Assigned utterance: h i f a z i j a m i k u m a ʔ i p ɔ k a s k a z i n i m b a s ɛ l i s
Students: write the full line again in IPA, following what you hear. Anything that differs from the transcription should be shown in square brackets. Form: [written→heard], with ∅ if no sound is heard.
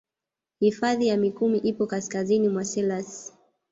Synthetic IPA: h i f a [z→ð] i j a m i k u m [a→i] ʔ i p ɔ k a s k a z i n i m [b→w] a s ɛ l [i→a] s

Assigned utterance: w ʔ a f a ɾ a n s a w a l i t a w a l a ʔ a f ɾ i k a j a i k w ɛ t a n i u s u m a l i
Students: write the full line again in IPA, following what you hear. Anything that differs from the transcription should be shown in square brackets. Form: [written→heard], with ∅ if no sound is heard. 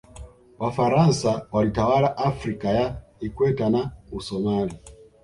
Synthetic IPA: w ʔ a f a ɾ a n s a w a l i t a w a l a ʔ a f ɾ i k a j a i k w ɛ t a n [i→a] u s [u→ɔ] m a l i

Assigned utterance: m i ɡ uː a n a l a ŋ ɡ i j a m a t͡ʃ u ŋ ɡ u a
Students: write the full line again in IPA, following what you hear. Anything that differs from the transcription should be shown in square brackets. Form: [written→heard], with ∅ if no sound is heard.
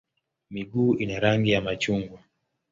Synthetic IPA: m i ɡ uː [a→i] n a [l→ɾ] a ŋ ɡ i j a m a t͡ʃ u ŋ ɡ [u→w] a

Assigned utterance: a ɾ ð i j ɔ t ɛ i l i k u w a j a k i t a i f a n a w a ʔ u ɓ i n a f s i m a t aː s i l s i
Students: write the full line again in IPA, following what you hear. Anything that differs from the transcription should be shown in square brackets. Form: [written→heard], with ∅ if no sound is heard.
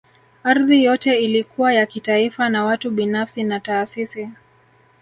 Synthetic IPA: a ɾ ð i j ɔ t ɛ i l i k u w a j a k i t a i f a n a w a [ʔ→t] u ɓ i n a f s i [m→n] a t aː s i [l→∅] s i

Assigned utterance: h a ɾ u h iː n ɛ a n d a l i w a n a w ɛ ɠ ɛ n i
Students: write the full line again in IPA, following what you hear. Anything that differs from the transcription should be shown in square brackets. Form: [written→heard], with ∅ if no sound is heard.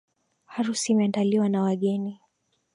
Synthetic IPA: h a ɾ u [h→s] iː [n→m] ɛ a n d a l i w a n a w [ɛ→a] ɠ ɛ n i

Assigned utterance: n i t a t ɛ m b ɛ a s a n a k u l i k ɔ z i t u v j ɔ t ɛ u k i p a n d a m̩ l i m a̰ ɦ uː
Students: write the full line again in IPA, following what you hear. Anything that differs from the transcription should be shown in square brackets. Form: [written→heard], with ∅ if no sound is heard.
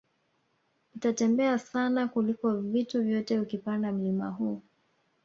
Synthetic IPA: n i t a t ɛ m b ɛ a s a n a k u l i k ɔ [z→v] i t u v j ɔ t ɛ u k i p a n d a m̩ l i m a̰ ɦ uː

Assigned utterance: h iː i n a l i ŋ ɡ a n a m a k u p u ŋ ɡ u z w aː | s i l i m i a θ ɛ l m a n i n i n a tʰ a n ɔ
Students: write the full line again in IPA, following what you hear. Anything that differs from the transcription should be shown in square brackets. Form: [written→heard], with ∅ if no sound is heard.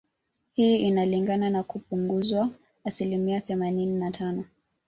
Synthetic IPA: h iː i n a l i ŋ ɡ a n a [m→n] a k u p u ŋ ɡ u z w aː | s i l i m i a θ ɛ [l→∅] m a n i n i n a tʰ a n ɔ

